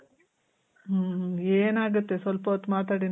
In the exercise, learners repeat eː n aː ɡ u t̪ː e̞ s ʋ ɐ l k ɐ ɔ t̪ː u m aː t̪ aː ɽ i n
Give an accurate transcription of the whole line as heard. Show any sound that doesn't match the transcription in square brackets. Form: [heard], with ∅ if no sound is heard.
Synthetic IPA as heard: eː n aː ɡ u t̪ː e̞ s ʋ ɐ l [p] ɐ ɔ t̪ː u m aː t̪ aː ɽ i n